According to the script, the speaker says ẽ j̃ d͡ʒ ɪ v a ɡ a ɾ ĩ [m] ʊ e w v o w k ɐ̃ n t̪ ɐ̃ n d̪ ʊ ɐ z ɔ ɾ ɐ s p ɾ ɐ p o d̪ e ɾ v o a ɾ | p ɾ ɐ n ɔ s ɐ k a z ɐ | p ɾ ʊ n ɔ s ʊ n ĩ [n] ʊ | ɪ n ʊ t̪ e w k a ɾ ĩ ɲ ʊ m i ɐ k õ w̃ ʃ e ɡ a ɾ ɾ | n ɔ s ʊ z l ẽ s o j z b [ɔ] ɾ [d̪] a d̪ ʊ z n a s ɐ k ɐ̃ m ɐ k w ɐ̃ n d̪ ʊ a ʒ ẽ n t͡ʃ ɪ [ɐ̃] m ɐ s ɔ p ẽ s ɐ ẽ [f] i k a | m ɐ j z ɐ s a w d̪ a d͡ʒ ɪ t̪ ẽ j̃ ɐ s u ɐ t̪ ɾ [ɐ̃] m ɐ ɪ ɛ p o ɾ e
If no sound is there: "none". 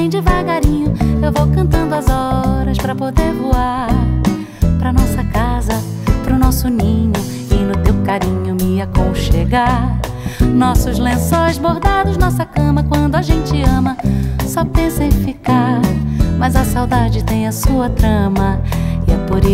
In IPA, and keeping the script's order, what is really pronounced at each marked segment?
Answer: ɲ, ɲ, o, d̪, ɐ̃, f, ɐ̃

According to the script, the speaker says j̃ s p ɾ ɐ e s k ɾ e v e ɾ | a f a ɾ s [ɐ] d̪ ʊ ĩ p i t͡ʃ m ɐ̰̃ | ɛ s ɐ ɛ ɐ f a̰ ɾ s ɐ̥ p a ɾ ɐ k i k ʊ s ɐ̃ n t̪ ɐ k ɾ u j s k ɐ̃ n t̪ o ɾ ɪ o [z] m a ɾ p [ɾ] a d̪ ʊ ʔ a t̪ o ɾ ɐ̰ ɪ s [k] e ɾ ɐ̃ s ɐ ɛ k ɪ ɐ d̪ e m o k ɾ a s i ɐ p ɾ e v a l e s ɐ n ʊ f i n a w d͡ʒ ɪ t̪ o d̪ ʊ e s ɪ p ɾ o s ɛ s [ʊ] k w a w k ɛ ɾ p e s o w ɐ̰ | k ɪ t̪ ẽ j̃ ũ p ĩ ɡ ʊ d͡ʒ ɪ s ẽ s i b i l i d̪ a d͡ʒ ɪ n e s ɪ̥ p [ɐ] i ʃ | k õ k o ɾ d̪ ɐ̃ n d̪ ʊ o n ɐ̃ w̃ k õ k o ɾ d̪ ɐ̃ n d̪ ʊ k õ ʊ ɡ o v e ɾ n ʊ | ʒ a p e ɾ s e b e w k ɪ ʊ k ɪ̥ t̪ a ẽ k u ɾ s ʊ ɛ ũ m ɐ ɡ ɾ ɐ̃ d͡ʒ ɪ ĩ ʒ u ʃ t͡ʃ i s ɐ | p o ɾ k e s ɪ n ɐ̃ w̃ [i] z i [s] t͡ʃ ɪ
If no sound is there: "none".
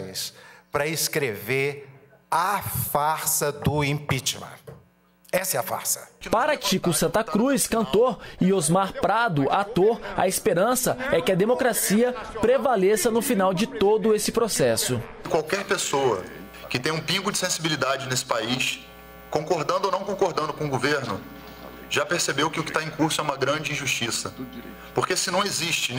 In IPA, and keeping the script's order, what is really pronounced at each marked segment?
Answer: ɐ, z, ɾ, p, ʊ, a, e, ʃ

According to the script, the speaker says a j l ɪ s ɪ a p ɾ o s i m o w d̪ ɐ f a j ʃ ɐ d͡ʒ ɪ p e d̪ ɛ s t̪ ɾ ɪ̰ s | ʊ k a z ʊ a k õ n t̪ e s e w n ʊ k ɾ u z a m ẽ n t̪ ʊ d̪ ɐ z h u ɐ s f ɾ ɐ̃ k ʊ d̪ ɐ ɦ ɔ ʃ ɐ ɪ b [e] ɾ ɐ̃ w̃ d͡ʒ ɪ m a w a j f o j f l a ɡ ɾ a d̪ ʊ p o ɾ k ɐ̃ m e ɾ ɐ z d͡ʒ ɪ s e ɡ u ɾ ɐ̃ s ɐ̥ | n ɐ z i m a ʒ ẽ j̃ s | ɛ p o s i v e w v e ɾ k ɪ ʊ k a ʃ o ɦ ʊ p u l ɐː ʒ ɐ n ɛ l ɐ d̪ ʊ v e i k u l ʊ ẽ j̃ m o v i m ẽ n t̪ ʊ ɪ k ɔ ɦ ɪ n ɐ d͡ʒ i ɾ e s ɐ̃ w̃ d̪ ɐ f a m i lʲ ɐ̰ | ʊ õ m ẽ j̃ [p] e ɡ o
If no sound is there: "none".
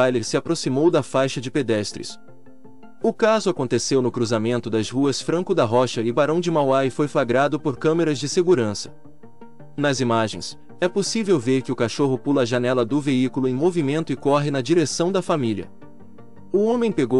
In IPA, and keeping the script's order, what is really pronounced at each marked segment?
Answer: a, p

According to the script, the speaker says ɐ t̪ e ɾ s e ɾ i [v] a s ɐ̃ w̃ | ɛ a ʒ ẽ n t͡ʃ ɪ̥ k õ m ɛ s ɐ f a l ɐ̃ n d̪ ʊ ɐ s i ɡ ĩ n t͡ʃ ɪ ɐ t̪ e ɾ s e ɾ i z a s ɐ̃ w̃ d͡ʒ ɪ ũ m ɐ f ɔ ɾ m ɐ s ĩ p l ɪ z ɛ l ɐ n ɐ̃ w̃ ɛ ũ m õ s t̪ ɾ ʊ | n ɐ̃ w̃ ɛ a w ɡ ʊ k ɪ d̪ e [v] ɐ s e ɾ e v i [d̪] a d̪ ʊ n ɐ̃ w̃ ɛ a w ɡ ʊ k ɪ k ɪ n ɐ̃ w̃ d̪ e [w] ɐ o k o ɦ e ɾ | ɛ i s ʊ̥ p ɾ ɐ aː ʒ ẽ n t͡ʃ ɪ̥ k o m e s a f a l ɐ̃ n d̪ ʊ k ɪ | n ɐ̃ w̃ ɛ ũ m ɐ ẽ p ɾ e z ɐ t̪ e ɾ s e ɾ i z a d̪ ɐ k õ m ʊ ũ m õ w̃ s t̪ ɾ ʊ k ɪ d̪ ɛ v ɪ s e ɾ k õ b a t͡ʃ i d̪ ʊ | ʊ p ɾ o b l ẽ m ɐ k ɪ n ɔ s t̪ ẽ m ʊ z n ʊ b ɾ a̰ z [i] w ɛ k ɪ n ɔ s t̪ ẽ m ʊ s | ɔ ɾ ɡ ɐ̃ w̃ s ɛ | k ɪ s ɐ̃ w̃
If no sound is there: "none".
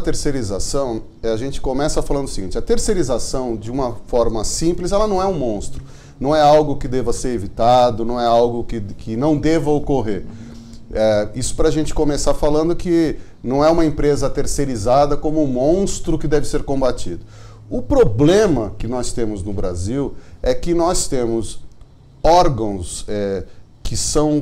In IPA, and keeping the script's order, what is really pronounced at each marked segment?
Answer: z, v, t̪, v, i

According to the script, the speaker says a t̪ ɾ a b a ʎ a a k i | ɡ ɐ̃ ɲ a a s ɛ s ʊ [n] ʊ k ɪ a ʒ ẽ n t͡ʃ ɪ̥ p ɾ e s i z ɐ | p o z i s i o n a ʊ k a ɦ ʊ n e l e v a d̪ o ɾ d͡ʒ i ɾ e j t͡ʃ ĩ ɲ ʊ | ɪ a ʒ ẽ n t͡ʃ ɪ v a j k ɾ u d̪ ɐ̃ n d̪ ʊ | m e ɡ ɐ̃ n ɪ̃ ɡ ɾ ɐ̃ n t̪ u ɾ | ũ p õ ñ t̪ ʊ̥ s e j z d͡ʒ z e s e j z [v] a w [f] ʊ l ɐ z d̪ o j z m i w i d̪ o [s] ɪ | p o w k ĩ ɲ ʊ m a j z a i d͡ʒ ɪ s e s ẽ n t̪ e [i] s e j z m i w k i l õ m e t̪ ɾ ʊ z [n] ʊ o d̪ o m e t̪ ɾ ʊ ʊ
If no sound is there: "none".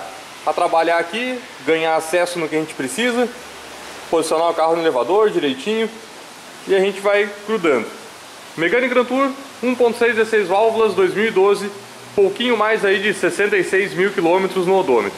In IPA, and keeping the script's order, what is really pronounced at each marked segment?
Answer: n, v, v, z, j, n

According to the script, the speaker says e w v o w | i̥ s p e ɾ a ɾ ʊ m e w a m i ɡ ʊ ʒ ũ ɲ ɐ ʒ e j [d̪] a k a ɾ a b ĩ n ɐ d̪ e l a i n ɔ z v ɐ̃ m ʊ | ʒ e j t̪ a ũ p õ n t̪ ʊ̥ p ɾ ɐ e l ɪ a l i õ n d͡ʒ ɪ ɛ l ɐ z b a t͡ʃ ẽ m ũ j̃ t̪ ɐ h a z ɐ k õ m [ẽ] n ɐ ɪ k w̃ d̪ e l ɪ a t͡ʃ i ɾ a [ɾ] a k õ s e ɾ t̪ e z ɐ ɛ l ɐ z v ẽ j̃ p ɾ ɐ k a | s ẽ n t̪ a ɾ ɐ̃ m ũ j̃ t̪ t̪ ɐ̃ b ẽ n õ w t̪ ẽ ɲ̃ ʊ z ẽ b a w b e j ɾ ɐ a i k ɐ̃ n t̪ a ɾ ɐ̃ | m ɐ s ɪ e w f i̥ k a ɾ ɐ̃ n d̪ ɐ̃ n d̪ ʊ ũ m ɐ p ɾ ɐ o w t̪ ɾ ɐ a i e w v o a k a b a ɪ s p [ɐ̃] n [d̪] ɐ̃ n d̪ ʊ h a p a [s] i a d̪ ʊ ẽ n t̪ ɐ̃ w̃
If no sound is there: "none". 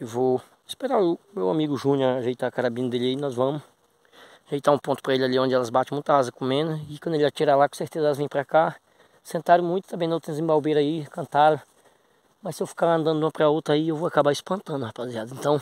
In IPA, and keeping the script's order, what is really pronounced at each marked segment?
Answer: t̪, ẽ, l, ɐ̃, t̪, z

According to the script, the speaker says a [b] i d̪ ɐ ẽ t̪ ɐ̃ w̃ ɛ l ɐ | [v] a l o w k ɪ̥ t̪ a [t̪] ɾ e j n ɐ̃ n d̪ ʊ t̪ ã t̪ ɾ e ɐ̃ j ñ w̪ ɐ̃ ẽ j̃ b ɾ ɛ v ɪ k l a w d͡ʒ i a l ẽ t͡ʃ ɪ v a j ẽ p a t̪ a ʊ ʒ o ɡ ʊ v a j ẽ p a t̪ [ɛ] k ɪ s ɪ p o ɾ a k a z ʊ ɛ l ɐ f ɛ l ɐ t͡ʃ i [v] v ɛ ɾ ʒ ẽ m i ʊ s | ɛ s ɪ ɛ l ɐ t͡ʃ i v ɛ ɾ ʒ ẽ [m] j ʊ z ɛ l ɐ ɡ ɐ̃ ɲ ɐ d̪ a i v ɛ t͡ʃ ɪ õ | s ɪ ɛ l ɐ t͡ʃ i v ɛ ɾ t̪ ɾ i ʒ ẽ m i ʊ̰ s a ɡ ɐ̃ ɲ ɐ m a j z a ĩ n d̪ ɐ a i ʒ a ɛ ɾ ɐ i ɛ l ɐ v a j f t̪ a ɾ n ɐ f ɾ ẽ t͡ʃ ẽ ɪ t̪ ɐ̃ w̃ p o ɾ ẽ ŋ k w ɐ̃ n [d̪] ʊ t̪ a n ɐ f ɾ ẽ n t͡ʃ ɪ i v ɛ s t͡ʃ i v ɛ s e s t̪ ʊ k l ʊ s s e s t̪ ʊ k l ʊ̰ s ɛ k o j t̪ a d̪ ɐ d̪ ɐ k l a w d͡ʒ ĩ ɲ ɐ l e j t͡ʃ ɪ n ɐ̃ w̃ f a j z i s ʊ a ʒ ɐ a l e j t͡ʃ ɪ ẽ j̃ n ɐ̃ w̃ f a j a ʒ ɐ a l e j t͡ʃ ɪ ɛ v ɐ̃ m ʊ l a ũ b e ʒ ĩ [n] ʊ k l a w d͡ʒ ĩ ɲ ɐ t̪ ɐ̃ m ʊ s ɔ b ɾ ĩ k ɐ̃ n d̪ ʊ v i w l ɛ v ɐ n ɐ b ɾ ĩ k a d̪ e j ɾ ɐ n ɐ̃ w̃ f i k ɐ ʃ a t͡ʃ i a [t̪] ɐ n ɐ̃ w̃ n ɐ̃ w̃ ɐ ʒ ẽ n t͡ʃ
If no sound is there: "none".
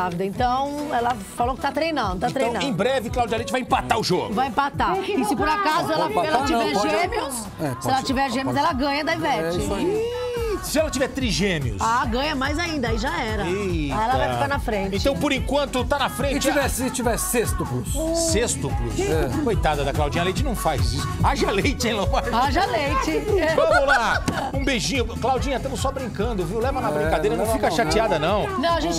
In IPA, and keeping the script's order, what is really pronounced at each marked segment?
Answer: v, f, t̪, a, v, m, t̪, ɲ, d̪

